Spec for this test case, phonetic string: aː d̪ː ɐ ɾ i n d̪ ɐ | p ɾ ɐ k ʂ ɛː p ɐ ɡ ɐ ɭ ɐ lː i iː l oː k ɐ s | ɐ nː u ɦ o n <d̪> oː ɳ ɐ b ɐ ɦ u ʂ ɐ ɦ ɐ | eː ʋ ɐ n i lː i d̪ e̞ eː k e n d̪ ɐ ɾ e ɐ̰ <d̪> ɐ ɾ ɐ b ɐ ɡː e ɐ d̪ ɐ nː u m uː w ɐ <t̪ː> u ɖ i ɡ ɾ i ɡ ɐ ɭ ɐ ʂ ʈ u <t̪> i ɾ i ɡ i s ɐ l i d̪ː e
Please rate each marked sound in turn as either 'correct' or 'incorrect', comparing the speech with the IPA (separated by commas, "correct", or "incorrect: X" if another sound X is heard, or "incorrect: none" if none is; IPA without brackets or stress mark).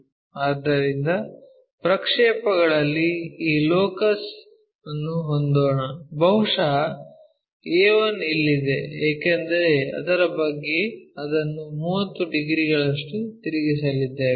correct, correct, correct, correct